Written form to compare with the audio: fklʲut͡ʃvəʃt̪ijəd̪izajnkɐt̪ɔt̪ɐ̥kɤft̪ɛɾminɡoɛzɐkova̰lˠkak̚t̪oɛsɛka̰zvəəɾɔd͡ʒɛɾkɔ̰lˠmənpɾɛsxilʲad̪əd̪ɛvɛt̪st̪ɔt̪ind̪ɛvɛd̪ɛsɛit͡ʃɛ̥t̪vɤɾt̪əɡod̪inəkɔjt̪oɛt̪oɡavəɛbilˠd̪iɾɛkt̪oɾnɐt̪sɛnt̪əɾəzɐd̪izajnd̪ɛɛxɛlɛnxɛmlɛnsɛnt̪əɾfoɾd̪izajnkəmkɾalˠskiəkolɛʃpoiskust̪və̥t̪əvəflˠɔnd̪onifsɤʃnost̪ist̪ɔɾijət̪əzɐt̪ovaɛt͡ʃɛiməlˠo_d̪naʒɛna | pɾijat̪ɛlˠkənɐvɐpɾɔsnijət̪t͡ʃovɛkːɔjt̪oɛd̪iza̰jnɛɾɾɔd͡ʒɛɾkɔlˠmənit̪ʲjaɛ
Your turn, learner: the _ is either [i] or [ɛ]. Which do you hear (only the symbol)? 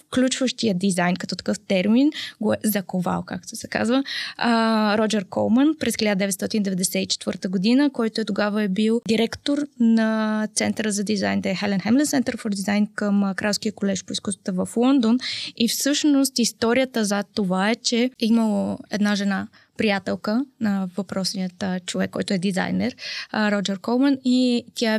ɛ